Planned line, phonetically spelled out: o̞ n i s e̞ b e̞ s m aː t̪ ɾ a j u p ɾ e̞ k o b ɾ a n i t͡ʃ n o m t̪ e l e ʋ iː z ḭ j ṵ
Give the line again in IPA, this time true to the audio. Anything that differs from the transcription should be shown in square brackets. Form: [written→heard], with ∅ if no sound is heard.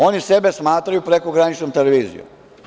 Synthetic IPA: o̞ n i s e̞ b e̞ s m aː t̪ ɾ a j u p ɾ e̞ k o [b→ɡ] ɾ a n i t͡ʃ n o m t̪ e l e ʋ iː z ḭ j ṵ